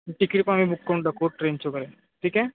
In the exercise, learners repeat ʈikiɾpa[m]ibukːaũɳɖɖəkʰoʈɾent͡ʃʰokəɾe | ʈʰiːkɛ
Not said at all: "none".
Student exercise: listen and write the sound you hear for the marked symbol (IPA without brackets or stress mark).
m